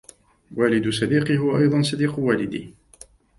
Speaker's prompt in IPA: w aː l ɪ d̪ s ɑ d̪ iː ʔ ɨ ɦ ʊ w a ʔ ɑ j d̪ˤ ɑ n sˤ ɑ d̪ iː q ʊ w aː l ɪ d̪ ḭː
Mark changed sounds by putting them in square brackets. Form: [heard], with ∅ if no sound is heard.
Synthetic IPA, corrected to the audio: w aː l ɪ d̪ s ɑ d̪ iː [q] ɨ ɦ ʊ w a ʔ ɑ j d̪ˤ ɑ n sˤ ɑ d̪ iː q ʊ w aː l ɪ d̪ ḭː